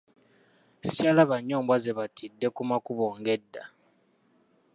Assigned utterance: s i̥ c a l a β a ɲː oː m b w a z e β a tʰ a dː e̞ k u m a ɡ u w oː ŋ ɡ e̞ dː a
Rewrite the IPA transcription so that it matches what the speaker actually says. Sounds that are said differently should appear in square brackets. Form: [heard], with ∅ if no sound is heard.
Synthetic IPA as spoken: s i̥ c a l a β a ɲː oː m b w a z e β a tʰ [i] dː e̞ k u m a [k] u [β] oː ŋ ɡ e̞ dː a